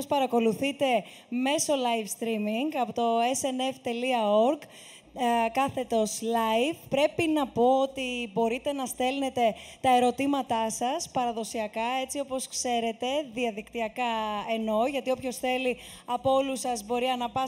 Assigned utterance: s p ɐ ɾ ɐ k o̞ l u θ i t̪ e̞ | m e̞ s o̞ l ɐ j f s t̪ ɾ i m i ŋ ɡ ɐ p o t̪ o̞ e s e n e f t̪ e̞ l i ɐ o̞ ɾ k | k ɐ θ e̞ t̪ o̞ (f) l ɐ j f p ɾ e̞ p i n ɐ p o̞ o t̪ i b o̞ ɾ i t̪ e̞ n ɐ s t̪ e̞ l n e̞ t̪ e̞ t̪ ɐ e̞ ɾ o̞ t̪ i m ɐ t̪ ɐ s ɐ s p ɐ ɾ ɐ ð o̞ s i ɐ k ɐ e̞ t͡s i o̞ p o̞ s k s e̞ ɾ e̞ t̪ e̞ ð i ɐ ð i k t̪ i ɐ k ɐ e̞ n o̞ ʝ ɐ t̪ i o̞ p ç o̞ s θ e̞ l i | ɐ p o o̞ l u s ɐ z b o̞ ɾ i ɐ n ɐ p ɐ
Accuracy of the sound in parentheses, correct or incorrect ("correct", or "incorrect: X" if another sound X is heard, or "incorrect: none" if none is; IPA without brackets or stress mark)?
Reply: incorrect: s